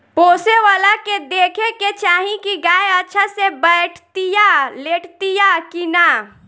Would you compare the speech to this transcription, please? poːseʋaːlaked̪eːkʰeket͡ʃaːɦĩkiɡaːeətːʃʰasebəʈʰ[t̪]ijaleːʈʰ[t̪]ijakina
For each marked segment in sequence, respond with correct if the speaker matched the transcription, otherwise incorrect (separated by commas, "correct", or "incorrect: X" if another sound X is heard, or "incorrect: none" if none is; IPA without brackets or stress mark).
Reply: correct, correct